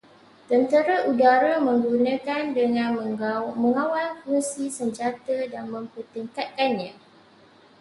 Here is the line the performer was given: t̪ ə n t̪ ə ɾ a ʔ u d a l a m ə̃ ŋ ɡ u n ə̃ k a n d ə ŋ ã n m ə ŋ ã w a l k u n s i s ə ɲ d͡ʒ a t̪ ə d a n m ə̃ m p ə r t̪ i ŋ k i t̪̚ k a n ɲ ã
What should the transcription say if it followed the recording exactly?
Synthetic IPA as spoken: t̪ ə n t̪ ə ɾ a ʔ u d a ɾ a m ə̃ ŋ ɡ u n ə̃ k a n d ə ŋ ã n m ə ŋ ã w a l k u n s i s ə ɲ d͡ʒ a t̪ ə d a n m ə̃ m p ə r t̪ i ŋ k a t̪̚ k a n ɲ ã